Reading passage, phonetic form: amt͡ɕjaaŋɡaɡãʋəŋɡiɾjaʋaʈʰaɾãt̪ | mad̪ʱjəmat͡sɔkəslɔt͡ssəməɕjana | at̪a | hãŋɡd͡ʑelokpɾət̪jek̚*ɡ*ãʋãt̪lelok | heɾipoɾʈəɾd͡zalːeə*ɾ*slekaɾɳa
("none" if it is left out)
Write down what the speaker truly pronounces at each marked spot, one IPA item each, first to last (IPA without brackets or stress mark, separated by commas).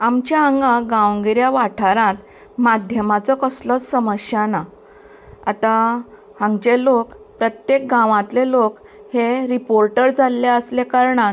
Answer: ɡ, none